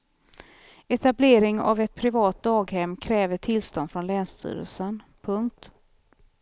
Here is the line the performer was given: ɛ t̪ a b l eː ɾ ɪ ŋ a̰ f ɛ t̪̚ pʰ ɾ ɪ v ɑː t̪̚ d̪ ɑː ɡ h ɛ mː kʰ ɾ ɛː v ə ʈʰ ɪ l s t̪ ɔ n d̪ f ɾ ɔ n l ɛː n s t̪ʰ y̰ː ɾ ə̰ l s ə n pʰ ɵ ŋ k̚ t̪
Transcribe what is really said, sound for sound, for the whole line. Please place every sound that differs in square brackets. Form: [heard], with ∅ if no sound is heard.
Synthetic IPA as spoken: ɛ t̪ a b l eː ɾ ɪ ŋ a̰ [v] ɛ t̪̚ pʰ ɾ ɪ v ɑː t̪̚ d̪ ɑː ɡ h ɛ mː kʰ ɾ ɛː v ə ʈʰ ɪ l s t̪ ɔ n d̪ f ɾ ɔ n l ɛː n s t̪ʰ y̰ː ɾ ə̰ l s ə n pʰ ɵ ŋ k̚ t̪